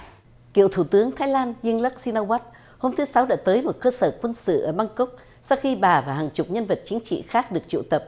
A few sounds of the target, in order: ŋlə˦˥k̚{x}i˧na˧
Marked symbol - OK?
no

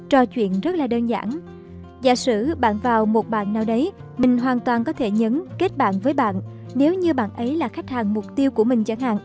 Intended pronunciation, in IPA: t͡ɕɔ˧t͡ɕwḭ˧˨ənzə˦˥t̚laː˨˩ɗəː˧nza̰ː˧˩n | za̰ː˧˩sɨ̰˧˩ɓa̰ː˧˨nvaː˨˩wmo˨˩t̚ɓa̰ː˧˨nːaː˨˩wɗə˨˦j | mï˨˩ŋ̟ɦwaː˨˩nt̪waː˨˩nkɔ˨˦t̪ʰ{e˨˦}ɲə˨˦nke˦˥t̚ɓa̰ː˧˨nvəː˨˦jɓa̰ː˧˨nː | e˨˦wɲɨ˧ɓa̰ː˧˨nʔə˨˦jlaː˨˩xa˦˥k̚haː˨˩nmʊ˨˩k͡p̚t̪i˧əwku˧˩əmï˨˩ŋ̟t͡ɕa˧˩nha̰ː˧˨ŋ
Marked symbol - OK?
no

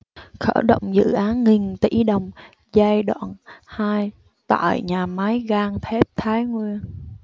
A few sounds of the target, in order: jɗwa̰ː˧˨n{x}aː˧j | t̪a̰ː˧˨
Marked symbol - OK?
no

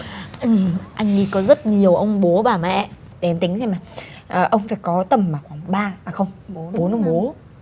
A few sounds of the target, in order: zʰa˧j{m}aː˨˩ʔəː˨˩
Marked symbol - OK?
yes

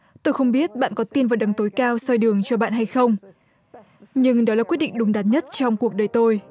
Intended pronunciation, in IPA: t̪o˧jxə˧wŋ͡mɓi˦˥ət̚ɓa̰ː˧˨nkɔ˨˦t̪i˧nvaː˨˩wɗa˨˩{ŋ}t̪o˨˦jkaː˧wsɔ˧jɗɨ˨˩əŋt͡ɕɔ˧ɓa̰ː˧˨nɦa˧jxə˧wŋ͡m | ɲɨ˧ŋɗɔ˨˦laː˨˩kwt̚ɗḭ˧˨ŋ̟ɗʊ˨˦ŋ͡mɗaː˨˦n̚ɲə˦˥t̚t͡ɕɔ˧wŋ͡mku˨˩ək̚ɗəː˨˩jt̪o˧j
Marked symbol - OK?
yes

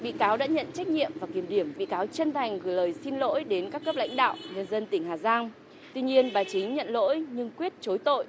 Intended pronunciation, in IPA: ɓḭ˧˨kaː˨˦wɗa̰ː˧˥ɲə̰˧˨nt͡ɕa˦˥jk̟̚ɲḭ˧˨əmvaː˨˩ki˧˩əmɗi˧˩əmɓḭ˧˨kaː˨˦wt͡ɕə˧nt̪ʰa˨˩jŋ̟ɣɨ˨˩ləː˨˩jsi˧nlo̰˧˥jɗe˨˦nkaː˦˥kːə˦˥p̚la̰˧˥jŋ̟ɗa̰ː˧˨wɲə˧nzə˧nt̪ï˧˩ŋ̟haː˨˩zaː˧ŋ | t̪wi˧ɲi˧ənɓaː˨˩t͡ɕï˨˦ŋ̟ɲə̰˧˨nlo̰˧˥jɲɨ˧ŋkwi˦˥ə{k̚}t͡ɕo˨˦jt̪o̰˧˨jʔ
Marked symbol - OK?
no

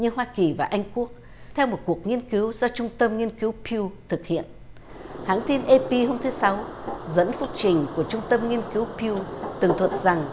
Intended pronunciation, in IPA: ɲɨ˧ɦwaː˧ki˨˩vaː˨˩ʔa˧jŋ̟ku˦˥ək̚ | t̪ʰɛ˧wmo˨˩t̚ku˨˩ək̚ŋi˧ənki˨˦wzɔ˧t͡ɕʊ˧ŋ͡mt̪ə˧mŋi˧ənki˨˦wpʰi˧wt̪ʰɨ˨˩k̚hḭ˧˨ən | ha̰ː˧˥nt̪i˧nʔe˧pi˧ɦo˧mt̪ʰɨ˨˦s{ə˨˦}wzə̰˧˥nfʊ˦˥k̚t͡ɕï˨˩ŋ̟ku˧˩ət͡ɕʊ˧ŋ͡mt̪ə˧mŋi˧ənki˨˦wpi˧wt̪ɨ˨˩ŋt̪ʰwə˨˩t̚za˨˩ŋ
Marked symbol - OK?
no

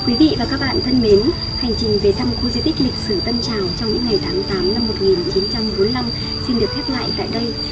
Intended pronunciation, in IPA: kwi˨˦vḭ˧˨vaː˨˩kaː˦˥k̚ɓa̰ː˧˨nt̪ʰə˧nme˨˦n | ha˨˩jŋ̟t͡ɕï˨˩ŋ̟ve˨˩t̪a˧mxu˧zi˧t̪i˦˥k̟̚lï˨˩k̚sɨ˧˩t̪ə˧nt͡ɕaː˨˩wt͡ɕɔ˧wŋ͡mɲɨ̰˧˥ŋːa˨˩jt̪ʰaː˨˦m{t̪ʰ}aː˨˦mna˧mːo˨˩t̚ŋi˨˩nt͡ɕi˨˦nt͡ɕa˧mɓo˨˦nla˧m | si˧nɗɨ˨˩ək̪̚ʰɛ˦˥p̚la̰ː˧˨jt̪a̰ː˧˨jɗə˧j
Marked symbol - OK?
no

